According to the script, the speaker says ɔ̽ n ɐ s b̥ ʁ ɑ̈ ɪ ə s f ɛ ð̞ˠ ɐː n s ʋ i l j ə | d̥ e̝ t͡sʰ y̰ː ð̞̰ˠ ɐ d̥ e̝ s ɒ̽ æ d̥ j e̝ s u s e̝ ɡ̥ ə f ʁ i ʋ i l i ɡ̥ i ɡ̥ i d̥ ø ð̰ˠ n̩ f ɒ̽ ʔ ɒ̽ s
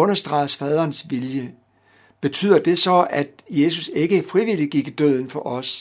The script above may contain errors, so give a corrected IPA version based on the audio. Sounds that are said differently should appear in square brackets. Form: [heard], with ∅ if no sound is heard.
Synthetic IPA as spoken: ɔ̽ n ɐ s [d̥] ʁ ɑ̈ ɪ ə s f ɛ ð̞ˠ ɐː n s ʋ i l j ə | [b̥] e̝ t͡sʰ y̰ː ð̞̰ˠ ɐ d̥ e̝ s ɒ̽ æ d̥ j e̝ s u s e̝ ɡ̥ ə f ʁ i ʋ i l i ɡ̥ i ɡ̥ i d̥ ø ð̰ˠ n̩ f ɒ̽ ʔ ɒ̽ s